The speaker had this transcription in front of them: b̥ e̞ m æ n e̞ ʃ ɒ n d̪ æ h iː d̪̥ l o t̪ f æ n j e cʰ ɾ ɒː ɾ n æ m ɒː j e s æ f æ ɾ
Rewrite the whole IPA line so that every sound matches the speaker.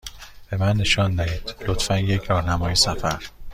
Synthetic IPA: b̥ e̞ m æ nː e̞ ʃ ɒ n d̪ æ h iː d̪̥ l o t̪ f æ n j e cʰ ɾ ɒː ɾ n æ m ɒː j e s æ f æ ɾ